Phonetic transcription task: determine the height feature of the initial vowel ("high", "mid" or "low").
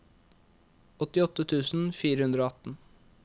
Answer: mid